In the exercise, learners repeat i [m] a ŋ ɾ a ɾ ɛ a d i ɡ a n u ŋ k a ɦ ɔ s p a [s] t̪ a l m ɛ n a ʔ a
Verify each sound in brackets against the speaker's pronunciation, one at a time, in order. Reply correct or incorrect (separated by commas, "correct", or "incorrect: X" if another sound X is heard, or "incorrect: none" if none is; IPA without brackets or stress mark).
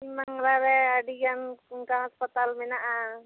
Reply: correct, incorrect: none